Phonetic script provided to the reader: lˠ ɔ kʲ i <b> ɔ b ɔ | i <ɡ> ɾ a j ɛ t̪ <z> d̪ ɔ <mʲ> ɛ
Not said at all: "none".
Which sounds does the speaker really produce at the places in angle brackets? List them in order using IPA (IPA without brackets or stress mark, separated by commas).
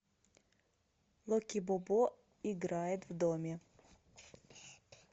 b, ɡ, v, mʲ